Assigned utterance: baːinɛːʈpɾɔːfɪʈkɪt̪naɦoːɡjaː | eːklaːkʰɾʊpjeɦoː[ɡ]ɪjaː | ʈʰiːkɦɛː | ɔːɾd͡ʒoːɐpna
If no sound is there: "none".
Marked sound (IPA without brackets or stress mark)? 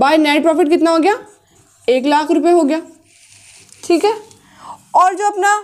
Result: ɡ